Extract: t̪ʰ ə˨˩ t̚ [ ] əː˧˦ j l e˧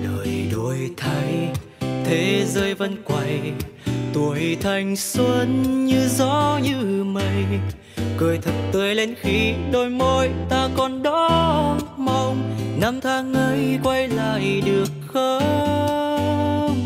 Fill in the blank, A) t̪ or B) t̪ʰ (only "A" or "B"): A